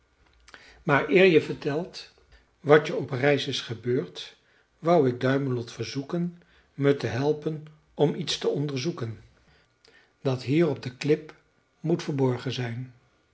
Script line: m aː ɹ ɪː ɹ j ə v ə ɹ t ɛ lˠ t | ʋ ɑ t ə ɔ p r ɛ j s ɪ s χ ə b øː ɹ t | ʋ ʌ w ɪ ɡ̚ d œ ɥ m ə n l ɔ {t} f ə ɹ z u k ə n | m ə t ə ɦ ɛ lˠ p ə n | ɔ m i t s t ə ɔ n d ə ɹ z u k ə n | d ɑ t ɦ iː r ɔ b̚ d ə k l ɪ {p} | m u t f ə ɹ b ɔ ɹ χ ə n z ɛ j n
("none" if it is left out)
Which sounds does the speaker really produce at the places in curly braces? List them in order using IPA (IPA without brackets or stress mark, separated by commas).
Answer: t, p